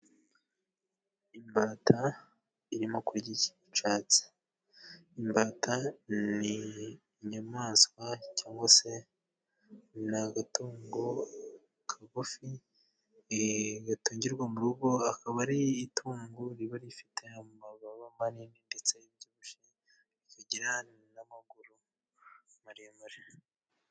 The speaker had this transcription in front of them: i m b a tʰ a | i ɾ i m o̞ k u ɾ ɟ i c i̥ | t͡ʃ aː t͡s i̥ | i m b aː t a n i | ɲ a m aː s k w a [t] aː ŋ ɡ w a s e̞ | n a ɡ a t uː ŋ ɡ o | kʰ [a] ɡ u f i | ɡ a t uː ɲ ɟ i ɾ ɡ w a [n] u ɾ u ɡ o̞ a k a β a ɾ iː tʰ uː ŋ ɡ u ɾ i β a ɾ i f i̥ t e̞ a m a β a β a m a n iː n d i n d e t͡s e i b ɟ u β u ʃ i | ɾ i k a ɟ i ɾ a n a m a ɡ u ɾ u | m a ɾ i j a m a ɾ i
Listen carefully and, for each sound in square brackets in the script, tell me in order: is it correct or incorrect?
incorrect: c, correct, incorrect: m

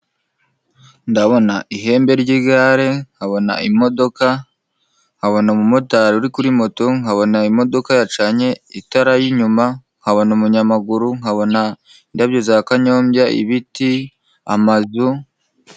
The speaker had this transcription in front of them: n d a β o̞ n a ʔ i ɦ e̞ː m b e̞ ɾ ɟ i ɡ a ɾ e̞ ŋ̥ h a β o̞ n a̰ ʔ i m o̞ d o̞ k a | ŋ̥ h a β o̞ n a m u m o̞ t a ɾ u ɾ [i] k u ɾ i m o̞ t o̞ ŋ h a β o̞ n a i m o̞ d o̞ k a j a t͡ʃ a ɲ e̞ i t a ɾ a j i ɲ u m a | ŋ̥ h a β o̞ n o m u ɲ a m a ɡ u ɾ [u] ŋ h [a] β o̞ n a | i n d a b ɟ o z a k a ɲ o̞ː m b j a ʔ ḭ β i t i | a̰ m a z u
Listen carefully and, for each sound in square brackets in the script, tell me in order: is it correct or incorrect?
correct, correct, correct

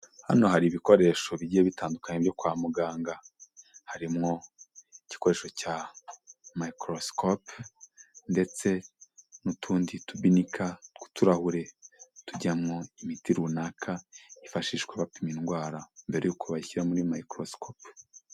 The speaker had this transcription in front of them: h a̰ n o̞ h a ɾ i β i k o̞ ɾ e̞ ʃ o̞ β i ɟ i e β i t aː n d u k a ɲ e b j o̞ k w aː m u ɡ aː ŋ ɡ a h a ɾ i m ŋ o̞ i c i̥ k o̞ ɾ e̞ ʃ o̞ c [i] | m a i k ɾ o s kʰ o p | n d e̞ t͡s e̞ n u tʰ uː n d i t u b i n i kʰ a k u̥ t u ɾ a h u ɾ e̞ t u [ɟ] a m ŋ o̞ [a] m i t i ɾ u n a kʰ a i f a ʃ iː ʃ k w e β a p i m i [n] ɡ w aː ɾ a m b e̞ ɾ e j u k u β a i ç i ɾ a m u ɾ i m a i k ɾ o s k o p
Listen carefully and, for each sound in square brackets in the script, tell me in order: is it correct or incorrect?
incorrect: a, correct, incorrect: i, correct

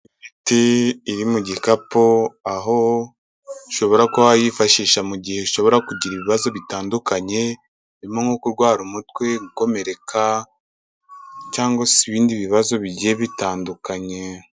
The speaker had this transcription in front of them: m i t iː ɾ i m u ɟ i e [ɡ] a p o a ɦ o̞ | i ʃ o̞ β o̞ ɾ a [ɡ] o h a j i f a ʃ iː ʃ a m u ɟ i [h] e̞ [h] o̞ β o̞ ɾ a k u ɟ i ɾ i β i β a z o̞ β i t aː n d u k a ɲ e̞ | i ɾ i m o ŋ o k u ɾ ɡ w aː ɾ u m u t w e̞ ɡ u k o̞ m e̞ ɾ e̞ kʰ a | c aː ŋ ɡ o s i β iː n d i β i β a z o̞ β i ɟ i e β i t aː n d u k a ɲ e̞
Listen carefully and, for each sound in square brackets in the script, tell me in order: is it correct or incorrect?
incorrect: k, incorrect: k, correct, incorrect: ʃ

